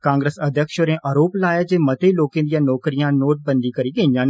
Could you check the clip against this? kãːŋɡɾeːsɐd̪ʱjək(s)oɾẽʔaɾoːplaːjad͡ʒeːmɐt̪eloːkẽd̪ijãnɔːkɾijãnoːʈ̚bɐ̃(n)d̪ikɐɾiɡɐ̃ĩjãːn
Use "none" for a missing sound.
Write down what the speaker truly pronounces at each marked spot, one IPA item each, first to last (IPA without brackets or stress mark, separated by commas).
ʃ, n